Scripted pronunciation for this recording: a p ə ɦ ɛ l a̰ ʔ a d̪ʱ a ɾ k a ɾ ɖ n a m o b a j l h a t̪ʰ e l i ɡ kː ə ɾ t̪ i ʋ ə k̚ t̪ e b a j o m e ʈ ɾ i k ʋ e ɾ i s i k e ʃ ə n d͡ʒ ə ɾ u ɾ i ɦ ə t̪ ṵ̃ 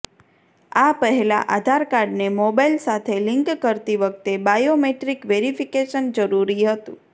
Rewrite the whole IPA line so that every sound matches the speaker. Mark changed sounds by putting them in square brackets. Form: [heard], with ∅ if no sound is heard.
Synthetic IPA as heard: a p ə ɦ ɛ l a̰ ʔ a d̪ʱ a ɾ k a ɾ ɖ n [e] m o b a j l [s] a t̪ʰ e l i [ŋ] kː ə ɾ t̪ i ʋ ə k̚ t̪ e b a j o m e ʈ ɾ i k ʋ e ɾ i [f] i k e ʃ ə n d͡ʒ ə ɾ u ɾ i ɦ ə t̪ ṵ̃

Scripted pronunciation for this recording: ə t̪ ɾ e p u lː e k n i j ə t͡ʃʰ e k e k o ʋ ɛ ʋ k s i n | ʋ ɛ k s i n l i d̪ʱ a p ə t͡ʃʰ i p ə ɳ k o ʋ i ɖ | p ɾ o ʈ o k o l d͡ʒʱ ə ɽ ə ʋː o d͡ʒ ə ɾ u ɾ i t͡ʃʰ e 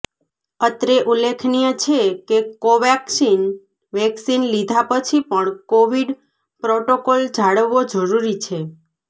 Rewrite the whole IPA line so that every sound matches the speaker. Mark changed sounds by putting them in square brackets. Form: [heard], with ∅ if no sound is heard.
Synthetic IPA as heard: ə t̪ ɾ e [ʔ] u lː e [kʰ] n i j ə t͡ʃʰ e k e k o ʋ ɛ [∅] k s i n | ʋ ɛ k s i n l i d̪ʱ a p ə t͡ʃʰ i p ə ɳ k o ʋ i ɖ | p ɾ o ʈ o k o l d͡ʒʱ [a] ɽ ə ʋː o d͡ʒ ə ɾ u ɾ i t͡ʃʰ e

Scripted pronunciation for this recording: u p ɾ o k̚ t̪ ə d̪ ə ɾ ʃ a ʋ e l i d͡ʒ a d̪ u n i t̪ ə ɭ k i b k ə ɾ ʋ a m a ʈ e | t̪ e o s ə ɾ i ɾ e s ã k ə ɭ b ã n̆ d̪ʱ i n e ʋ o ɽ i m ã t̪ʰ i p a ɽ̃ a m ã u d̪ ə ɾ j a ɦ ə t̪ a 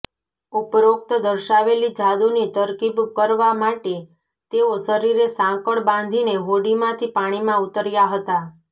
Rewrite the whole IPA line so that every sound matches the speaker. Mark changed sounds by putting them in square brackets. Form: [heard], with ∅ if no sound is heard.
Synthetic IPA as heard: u p ɾ o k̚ t̪ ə d̪ ə ɾ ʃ a ʋ e l i d͡ʒ a d̪ u n i t̪ ə [ɾ] k i b k ə ɾ ʋ a m a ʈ e | t̪ e o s ə ɾ i ɾ e s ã k ə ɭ b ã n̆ d̪ʱ i n e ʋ o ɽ i m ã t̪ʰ i p a ɽ̃ [i] m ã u [t̪] ə ɾ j a ɦ ə t̪ a

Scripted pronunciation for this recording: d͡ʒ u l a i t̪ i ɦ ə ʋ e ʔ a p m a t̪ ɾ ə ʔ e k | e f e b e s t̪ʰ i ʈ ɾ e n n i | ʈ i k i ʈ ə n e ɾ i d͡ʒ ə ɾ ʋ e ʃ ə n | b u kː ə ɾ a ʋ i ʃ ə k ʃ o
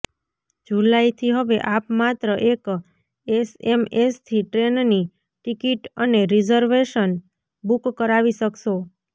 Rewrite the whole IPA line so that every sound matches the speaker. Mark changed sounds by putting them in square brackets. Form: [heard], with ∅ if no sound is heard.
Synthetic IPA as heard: d͡ʒ u l a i [t̪ʰ] i ɦ ə ʋ e ʔ a p m a t̪ ɾ ə ʔ e k | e [s] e [m] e s t̪ʰ i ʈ ɾ e n n i | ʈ i k i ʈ ə n e ɾ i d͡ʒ ə ɾ ʋ e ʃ ə n | b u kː ə ɾ a ʋ i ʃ ə k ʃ o

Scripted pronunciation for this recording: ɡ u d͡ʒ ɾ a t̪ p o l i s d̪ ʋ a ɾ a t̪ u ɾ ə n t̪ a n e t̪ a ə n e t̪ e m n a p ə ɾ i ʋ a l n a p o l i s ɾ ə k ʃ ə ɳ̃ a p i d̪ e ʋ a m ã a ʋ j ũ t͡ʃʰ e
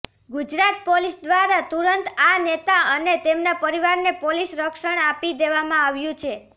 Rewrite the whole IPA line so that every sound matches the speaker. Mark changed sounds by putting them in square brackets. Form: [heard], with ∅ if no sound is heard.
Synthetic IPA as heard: ɡ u d͡ʒ ɾ a t̪ p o l i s d̪ ʋ a ɾ a t̪ u ɾ ə n t̪ a n e t̪ a ə n e t̪ e m n a p ə ɾ i ʋ a [ɾ] n [e] p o l i s ɾ ə k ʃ ə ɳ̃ a p i d̪ e ʋ a m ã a ʋ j ũ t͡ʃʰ e

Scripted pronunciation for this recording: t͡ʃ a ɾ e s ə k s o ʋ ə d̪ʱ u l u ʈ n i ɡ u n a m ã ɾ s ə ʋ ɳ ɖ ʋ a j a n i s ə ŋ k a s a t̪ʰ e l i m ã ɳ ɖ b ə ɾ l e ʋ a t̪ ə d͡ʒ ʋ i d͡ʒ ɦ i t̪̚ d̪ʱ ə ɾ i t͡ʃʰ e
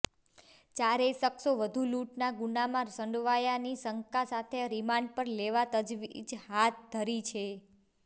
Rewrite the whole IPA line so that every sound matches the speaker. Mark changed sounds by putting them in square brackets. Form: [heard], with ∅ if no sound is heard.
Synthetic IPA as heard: t͡ʃ a ɾ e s ə k s o ʋ ə d̪ʱ u l u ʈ n [a] ɡ u n a m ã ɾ s ə [∅] ɳ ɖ ʋ a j a n i s ə ŋ k a s a t̪ʰ e [ɾ] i m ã ɳ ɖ [p] ə ɾ l e ʋ a t̪ ə d͡ʒ ʋ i d͡ʒ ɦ [a] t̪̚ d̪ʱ ə ɾ i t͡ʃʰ e

